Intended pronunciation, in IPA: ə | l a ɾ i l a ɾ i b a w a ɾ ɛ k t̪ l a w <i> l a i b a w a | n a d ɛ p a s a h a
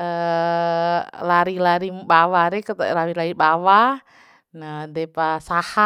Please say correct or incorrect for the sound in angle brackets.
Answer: correct